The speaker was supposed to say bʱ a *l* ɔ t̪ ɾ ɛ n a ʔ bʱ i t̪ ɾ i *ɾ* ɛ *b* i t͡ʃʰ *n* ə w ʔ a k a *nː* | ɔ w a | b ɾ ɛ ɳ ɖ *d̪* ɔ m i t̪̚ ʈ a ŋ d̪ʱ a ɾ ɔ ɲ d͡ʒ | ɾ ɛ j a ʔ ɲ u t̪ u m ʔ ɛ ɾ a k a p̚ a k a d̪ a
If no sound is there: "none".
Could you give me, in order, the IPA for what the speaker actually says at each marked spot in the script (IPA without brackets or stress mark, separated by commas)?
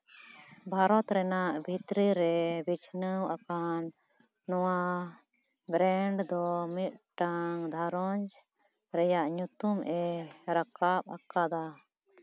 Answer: ɾ, ɾ, b, n, nː, d̪